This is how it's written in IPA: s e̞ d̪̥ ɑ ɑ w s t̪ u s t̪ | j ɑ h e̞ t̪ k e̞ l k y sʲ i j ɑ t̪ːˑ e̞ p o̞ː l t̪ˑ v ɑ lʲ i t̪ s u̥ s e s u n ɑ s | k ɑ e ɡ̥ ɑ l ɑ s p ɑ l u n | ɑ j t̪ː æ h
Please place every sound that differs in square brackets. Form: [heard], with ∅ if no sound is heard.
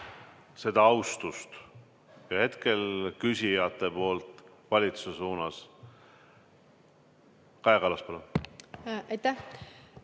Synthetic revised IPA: s e̞ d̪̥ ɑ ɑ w s t̪ u s t̪ | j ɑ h e̞ t̪ k e̞ l k y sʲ i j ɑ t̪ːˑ e̞ p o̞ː l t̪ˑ v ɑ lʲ i t̪ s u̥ s e s [uː] n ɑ s | k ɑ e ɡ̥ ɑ l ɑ s p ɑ l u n | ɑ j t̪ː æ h

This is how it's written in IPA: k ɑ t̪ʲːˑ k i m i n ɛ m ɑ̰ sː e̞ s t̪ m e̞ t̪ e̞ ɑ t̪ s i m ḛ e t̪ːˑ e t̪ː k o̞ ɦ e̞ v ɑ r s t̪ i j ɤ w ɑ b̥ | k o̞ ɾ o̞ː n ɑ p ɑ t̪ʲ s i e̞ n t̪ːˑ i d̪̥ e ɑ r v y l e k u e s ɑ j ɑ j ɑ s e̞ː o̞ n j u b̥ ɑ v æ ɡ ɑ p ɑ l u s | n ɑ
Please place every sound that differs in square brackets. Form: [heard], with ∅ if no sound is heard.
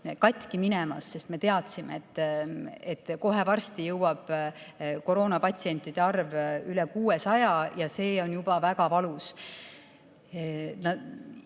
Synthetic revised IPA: k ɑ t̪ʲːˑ k i m i n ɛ m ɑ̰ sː e̞ s t̪ m e̞ t̪ e̞ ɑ t̪ s i m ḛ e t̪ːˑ e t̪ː k o̞ ɦ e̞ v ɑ r s t̪ i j ɤ w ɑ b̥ | k o̞ ɾ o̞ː n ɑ p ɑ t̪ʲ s i e̞ n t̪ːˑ i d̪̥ e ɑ r v y l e k [uː] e s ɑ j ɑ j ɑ s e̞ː o̞ n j u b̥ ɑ v æ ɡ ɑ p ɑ l u s | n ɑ

